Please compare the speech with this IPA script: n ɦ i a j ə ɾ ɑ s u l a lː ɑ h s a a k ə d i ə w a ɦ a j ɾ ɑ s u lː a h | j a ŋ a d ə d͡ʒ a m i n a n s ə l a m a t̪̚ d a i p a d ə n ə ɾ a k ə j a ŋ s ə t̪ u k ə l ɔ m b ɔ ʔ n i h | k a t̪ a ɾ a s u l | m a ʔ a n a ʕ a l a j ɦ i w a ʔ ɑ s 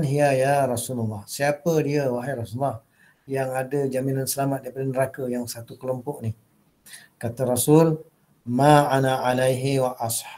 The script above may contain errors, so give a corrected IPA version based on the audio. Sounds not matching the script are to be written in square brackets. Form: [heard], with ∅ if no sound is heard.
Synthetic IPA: n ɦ i a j [a] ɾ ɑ s u l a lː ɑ h s [i] a [p] ə d i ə w a ɦ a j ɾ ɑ s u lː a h | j a ŋ a d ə d͡ʒ a m i n a n s ə l a m a t̪̚ d a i p a d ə n ə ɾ a k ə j a ŋ s [a] t̪ u k ə l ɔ m [p] ɔ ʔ n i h | k a t̪ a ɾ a s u l | m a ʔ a n a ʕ a l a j ɦ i w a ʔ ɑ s